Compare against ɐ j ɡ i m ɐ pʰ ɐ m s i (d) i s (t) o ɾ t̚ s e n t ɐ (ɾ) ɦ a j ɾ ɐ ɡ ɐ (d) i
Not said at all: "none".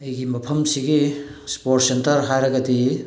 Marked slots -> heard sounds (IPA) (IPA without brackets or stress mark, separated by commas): ɡ, p, ɾ, d